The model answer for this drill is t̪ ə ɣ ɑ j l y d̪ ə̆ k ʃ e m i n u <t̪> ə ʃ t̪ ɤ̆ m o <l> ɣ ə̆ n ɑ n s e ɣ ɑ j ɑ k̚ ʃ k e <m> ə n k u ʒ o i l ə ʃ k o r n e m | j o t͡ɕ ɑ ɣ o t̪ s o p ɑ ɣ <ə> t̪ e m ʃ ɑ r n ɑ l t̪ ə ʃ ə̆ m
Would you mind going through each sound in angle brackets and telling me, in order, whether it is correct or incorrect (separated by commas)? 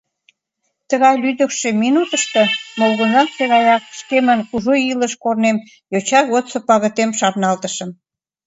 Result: correct, correct, correct, correct